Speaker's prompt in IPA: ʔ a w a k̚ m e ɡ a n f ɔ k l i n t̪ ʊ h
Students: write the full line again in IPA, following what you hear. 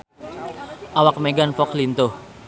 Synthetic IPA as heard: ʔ a w a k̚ m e ɡ a n f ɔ k l i n t̪ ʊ h